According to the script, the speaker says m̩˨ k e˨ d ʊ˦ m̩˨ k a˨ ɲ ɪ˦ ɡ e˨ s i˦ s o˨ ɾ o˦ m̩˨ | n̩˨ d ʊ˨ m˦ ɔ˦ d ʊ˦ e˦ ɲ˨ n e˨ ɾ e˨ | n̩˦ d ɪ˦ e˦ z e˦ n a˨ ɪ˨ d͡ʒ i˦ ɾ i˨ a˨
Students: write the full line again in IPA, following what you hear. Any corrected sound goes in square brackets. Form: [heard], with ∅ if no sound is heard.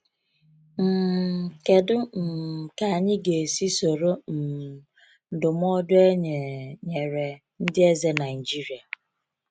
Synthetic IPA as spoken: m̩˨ k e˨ d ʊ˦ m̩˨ k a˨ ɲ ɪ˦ ɡ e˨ s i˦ s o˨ ɾ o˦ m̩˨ | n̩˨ d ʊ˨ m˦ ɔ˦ d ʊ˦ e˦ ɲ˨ [ɲ] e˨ ɾ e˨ | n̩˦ d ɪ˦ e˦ z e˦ n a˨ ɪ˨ d͡ʒ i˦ ɾ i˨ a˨